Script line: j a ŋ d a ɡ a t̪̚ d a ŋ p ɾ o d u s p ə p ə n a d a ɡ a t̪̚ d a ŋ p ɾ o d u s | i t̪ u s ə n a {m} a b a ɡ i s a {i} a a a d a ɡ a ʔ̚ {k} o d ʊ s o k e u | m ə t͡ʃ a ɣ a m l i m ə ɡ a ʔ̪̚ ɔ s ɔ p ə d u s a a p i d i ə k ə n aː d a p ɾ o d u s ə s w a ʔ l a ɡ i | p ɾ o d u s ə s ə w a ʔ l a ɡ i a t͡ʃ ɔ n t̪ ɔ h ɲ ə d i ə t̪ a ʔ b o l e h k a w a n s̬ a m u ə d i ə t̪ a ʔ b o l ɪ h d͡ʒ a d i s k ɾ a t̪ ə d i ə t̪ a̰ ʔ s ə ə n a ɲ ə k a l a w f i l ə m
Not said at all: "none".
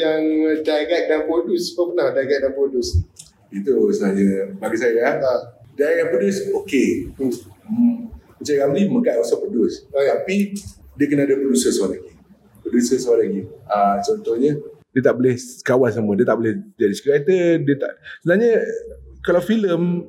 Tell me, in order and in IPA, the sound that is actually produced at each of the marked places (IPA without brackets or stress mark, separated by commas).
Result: ɲ, j, p